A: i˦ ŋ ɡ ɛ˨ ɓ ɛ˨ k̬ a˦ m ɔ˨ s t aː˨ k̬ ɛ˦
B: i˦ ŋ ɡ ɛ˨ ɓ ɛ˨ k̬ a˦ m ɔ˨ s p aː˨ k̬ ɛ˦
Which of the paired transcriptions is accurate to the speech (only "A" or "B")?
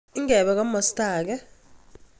A